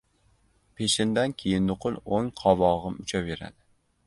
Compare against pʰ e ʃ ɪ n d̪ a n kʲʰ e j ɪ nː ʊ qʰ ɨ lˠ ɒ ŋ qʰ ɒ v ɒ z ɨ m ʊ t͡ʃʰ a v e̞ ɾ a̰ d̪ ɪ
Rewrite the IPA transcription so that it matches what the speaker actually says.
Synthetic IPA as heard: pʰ e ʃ ɪ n d̪ a n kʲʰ e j ɪ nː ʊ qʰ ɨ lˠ o ŋ qʰ ɒ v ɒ ʁ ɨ m ʊ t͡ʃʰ a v e̞ ɾ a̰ d̪ ɪ